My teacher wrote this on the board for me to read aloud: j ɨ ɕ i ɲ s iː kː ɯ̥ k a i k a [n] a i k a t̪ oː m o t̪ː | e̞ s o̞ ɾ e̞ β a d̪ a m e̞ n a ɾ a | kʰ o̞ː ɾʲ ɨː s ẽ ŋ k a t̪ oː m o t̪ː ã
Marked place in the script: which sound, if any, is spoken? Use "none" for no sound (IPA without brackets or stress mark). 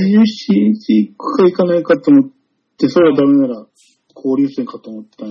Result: n